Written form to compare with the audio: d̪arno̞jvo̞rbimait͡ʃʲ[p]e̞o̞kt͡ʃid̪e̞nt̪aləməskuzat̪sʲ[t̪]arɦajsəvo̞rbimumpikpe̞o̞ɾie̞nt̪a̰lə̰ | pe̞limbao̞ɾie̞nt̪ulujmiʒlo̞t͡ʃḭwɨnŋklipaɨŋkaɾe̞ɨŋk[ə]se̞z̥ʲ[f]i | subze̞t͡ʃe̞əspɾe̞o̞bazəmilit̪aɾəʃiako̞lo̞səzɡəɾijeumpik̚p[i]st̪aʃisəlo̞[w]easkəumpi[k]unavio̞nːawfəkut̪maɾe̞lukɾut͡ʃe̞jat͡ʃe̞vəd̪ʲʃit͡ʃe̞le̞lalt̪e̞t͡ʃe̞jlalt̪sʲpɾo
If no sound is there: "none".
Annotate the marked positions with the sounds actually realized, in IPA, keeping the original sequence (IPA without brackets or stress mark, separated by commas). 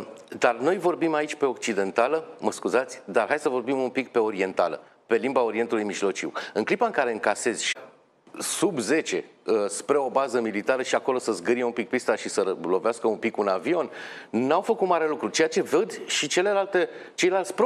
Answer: p, d̪, a, ʃ, i, v, k